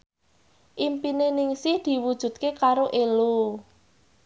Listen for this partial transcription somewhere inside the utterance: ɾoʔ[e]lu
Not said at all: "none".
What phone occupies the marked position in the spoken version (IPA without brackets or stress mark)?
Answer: e